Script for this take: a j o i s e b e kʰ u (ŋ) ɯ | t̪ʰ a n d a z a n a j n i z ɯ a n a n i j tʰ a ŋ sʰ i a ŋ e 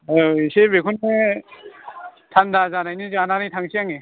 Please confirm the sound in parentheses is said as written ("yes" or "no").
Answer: no